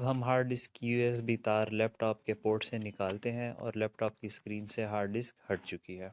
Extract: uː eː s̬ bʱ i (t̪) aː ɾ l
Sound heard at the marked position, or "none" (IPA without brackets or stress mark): t̪